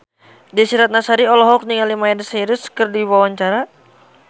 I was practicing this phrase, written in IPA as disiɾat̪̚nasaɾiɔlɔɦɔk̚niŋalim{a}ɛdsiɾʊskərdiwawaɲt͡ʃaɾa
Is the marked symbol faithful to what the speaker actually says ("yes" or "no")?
yes